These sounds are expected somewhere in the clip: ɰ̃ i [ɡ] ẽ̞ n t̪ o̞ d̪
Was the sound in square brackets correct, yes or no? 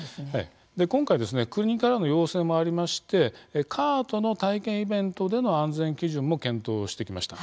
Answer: no